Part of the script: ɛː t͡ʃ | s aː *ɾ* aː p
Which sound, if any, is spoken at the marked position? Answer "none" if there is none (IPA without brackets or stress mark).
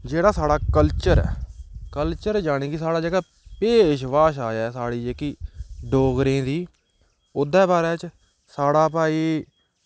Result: ɽ